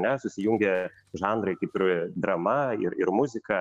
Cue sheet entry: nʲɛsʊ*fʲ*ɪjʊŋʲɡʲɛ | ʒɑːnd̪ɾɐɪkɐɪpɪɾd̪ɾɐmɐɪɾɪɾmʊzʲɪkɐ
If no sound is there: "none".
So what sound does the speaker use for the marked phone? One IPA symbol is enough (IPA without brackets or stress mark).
sʲ